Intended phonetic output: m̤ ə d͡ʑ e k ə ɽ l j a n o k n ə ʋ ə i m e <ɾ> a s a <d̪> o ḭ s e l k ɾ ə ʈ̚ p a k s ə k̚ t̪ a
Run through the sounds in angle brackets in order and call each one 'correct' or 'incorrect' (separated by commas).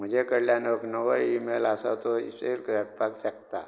incorrect, incorrect